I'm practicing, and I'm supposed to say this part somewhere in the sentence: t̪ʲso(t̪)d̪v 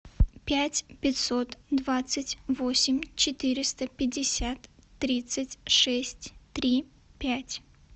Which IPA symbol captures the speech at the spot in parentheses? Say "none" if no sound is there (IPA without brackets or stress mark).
t̪